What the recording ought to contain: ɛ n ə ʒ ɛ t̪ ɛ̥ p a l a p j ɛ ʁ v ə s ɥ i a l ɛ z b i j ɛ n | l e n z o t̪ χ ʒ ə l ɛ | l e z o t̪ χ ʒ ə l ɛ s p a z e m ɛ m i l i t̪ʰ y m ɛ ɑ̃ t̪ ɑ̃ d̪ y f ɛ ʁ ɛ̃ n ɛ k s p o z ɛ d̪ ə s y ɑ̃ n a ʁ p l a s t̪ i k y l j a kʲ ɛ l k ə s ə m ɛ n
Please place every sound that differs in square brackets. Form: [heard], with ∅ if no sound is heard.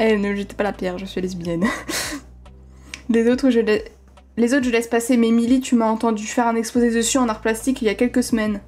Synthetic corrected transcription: ɛ n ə ʒ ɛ t̪ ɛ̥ p a l a p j ɛ ʁ [ʒ] ə s ɥ i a l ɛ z b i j ɛ n | l e [∅] z o t̪ χ ʒ ə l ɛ | l e z o t̪ χ ʒ ə l ɛ s p a [s] e m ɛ m i l i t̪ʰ y m [a] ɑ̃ t̪ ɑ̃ d̪ y f ɛ ʁ ɛ̃ n ɛ k s p o z [e] d̪ ə s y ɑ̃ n a ʁ p l a s t̪ i k [i] l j a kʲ ɛ l k ə s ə m ɛ n